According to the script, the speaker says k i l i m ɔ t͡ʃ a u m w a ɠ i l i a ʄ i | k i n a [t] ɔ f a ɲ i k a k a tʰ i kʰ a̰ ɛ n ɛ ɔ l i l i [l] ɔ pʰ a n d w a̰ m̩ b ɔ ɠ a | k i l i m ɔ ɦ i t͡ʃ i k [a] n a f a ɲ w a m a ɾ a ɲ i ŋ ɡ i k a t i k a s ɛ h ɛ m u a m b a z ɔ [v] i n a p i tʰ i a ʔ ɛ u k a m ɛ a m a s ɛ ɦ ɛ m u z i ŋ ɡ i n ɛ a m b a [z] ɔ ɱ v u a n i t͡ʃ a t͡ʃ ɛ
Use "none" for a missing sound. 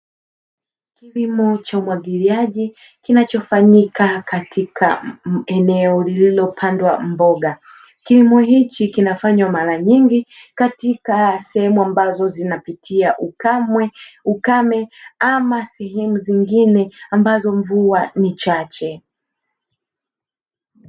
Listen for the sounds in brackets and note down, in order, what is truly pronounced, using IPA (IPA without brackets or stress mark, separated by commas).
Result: t͡ʃ, l, i, z, z